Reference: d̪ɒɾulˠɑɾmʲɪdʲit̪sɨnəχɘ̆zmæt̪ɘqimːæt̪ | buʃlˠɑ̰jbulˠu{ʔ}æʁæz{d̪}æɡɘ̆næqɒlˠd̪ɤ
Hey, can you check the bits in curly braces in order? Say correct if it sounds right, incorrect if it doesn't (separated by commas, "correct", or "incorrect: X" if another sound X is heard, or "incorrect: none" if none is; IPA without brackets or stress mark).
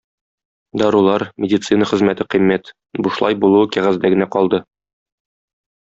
incorrect: k, correct